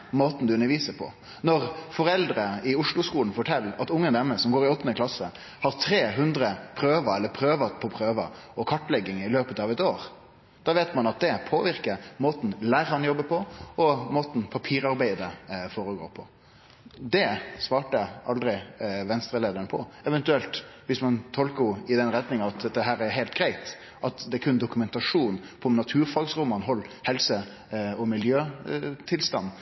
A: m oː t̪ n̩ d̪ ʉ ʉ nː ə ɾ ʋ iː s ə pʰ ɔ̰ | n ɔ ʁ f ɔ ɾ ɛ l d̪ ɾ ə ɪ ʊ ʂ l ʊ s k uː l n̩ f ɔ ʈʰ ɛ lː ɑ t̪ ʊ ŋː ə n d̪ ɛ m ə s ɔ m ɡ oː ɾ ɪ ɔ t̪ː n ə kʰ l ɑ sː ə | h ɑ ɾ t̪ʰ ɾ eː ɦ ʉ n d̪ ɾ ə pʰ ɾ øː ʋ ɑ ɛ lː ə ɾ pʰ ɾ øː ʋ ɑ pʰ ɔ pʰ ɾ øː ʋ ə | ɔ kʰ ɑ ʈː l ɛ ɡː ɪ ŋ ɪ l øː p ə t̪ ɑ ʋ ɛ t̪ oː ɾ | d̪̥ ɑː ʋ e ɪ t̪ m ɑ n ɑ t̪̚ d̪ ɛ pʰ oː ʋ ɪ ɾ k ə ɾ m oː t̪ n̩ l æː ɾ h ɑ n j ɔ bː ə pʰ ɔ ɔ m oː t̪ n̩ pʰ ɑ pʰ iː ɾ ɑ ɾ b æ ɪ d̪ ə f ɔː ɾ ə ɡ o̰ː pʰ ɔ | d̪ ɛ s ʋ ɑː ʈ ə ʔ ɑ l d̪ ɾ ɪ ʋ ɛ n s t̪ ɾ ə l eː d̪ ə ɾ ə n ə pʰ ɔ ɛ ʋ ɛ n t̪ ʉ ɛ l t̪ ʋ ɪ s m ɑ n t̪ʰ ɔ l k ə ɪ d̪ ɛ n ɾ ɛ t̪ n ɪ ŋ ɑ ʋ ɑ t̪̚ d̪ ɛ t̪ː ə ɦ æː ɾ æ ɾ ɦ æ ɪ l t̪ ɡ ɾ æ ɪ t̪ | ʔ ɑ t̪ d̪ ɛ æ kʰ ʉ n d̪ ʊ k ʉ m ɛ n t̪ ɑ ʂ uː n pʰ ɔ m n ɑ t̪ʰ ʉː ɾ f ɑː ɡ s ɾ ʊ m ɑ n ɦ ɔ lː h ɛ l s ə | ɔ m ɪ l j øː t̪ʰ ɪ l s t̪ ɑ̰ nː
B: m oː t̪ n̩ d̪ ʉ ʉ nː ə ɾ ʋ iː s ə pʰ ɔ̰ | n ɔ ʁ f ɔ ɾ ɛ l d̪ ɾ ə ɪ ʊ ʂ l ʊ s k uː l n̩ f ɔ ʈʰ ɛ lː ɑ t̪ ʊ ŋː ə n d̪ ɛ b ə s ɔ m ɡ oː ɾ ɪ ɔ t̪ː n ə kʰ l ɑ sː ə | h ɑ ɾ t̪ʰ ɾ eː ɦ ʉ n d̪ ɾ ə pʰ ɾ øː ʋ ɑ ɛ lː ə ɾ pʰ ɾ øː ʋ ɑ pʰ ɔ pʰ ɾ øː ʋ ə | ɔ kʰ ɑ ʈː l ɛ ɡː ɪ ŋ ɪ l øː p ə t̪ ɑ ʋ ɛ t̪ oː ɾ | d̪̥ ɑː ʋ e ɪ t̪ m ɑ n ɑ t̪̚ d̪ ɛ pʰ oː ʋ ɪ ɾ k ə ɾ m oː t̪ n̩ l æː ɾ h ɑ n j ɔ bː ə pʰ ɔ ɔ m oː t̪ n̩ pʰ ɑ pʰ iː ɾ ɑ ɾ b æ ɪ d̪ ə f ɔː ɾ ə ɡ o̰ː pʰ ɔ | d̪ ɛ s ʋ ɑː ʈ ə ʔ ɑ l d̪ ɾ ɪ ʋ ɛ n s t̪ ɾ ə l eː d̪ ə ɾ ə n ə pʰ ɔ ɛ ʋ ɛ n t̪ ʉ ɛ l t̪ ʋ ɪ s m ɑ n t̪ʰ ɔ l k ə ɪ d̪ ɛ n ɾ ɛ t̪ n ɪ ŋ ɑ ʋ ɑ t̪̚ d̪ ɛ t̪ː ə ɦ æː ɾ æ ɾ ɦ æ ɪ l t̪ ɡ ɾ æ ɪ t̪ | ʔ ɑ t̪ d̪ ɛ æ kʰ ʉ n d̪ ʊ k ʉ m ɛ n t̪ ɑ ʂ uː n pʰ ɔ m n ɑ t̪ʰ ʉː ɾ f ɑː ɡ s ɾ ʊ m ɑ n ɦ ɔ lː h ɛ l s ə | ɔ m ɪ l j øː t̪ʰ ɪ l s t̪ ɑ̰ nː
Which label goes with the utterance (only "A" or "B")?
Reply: A